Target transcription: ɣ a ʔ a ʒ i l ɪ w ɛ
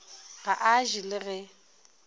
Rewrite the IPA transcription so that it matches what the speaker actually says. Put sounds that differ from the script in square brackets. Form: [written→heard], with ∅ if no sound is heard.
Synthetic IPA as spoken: ɣ a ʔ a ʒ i l ɪ [w→ɣ] ɛ